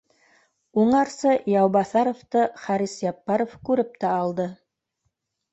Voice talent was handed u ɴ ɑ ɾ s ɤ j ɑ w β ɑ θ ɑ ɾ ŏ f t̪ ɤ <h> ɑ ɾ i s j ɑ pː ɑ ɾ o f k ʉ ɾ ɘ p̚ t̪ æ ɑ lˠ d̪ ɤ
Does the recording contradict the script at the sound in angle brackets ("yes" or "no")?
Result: yes